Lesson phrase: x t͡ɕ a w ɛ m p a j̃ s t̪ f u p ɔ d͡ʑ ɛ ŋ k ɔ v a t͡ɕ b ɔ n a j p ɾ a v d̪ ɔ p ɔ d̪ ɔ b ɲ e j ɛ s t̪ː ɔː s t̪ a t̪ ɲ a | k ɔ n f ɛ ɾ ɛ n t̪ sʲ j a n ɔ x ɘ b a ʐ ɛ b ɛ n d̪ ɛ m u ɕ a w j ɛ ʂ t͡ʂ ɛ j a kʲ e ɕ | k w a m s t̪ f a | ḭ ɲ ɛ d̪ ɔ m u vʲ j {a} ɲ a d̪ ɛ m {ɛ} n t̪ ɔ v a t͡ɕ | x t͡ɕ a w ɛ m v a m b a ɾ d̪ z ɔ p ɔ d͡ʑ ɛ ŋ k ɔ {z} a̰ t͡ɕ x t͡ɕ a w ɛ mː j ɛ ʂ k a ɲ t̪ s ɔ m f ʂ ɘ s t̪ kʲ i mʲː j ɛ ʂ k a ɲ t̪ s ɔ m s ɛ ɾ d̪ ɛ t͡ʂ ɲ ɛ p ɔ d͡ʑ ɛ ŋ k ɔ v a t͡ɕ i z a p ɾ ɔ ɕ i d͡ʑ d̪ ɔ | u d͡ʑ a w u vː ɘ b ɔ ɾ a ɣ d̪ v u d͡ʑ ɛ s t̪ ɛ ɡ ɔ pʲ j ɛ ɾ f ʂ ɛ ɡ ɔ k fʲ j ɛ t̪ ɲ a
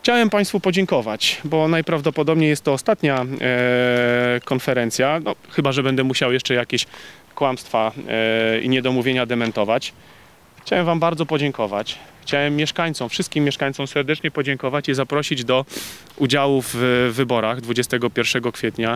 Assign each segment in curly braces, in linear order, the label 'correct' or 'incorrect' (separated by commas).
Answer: incorrect, correct, incorrect